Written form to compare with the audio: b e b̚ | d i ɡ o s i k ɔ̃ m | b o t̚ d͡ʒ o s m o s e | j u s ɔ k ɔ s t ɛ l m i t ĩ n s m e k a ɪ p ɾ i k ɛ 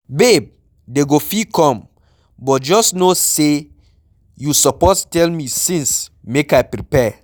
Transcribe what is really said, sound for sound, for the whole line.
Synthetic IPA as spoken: b e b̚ | d e ɡ o f i k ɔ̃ m | b ɔ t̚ d͡ʒ ɔ s n o s e | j u s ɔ p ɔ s t ɛ l m i s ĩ n s m e k a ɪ p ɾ i p ɛ